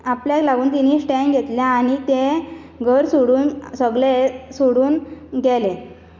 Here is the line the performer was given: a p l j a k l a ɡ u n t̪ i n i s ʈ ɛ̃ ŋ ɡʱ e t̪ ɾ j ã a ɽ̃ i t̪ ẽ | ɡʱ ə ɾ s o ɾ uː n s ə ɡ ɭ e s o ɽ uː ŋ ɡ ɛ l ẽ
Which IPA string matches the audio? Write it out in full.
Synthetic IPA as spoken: a p l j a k l a ɡ uː n t̪ i n i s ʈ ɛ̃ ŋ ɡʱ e t̪ l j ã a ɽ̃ i t̪ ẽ | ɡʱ ə ɾ s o ɽ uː n s ə ɡ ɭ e s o ɽ uː n ɡ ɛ l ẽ